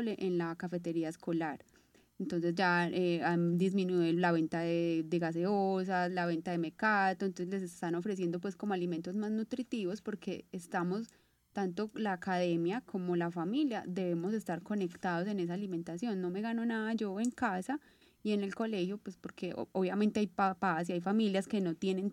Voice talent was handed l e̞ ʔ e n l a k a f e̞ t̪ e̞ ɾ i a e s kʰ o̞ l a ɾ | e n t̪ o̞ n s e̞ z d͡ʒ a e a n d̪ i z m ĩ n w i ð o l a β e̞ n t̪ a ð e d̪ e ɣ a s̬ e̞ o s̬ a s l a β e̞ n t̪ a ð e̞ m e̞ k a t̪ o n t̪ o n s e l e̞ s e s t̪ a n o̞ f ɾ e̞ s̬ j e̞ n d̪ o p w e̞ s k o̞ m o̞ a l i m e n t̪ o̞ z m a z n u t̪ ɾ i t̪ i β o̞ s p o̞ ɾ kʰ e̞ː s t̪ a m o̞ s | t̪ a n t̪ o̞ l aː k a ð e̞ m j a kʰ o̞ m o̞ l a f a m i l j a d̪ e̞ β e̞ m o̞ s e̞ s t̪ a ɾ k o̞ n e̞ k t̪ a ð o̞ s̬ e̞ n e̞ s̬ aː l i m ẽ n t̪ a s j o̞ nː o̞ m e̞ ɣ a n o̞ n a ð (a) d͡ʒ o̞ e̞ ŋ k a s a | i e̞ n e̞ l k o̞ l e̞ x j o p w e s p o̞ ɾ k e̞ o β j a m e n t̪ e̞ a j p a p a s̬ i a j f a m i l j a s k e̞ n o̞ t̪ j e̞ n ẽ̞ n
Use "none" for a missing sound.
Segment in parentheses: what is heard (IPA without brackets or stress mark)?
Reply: a